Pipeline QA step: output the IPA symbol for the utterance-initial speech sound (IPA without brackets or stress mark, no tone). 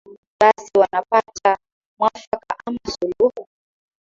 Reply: ɓ